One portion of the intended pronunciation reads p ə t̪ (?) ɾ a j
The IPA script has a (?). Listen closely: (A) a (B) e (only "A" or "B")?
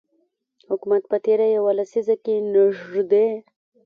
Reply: B